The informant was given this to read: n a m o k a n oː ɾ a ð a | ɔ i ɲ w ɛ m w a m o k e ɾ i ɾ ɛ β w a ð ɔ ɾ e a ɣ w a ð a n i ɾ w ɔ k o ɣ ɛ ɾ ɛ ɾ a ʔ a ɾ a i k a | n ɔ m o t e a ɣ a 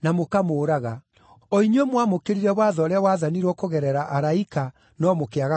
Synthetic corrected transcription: n a m o k a m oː ɾ a ɣ a | ɔ i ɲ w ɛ m w a m o k e ɾ i ɾ ɛ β w a ð ɔ ɾ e a w a ð a n i ɾ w ɔ k o ɣ ɛ ɾ ɛ ɾ a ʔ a ɾ a i k a | n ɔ m o k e a ɣ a